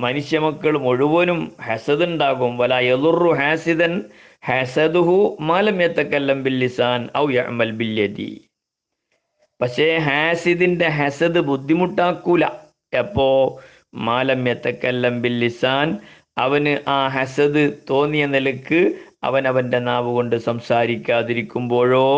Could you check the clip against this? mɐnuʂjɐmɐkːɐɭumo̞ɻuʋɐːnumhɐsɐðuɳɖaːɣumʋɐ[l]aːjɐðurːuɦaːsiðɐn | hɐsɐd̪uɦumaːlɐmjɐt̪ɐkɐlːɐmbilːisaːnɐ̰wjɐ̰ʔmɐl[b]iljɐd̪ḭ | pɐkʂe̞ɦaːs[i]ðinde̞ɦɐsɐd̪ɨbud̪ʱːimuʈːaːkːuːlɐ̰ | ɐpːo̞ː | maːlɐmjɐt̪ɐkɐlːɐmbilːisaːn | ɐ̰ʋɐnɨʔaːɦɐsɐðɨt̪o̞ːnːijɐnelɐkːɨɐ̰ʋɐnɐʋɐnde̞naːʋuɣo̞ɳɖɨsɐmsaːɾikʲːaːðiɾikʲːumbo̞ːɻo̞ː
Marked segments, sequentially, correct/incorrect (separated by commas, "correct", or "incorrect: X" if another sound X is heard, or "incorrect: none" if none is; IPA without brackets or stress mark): correct, correct, correct